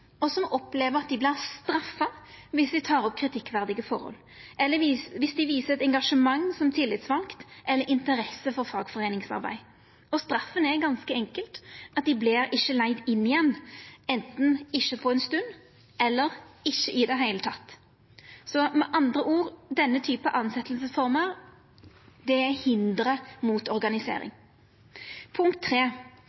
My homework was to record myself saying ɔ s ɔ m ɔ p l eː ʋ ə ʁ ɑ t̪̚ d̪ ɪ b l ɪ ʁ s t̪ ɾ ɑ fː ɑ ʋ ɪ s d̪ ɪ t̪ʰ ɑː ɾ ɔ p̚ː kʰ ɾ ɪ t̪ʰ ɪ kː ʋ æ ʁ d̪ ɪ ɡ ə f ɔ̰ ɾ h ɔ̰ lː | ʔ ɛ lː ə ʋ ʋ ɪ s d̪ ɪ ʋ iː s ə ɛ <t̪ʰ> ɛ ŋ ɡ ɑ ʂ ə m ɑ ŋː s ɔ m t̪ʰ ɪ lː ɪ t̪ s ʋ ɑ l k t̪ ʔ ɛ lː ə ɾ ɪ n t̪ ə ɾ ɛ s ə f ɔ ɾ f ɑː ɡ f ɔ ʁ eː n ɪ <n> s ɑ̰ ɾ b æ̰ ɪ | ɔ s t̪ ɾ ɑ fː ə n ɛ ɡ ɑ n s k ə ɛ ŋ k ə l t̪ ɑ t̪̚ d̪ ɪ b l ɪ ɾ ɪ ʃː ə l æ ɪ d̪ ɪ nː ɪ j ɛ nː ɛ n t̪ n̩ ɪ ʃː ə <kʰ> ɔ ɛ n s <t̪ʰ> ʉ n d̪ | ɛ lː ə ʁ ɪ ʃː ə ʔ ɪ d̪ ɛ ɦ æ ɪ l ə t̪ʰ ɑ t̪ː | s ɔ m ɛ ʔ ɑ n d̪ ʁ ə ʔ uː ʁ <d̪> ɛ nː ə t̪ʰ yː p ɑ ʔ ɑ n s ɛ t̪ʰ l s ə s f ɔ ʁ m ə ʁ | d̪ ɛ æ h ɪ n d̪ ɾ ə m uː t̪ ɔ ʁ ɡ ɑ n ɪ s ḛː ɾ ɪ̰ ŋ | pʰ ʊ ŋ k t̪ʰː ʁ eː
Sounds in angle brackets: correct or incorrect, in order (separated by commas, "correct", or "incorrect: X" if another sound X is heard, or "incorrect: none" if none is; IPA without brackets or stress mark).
incorrect: t̪, incorrect: ŋ, incorrect: pʰ, incorrect: t̪, correct